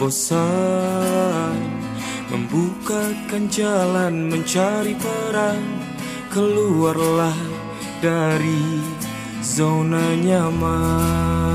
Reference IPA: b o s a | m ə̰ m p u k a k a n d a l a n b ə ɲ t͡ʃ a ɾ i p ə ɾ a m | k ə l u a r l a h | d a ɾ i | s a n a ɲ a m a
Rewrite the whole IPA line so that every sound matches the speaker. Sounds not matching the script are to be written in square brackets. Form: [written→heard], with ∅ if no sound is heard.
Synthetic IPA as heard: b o s a | m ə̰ m [p→b] u k a k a n [d→d͡ʒ] a l a n [b→m] ə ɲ t͡ʃ a ɾ i p ə ɾ a [m→ŋ] | k ə l u a r l a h | d a ɾ i | [s→z] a n a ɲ a m a